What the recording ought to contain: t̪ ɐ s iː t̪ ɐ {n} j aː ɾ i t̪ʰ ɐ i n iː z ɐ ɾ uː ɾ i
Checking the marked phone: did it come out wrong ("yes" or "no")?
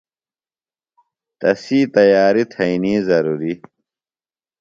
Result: yes